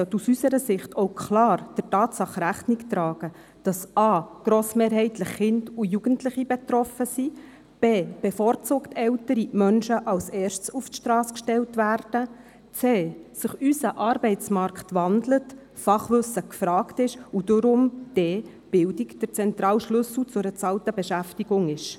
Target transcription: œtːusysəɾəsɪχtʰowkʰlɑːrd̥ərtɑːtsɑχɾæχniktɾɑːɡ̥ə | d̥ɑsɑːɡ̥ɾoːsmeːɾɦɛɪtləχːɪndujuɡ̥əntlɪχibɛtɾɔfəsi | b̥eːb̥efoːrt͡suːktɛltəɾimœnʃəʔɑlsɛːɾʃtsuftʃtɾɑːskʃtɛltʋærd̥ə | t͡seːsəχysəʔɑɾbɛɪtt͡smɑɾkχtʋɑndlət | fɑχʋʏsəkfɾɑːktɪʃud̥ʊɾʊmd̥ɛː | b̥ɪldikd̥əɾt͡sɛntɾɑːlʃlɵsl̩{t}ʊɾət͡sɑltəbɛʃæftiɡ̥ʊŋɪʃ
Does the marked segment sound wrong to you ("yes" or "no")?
yes